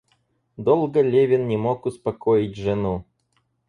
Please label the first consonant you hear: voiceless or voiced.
voiced